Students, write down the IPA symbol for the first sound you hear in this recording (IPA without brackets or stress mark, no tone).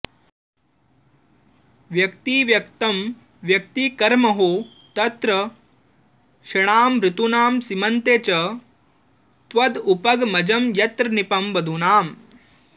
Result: ʋ